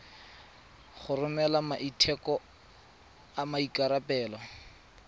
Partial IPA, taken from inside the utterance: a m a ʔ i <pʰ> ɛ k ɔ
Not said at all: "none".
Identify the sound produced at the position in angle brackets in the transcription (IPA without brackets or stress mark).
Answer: tʰ